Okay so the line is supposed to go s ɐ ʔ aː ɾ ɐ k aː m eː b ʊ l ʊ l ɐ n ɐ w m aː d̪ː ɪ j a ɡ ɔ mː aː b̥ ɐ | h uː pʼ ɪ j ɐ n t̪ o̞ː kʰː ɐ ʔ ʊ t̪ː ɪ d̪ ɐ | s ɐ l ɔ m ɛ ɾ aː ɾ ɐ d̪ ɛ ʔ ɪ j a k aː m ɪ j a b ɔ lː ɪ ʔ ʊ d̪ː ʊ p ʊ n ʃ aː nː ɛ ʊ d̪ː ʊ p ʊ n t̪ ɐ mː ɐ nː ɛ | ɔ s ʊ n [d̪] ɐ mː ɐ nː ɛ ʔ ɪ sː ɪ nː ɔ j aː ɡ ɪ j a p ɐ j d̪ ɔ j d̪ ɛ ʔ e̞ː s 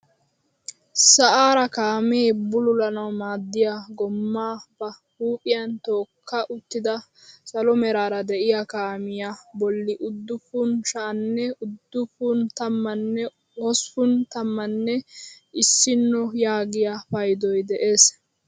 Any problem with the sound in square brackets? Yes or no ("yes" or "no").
yes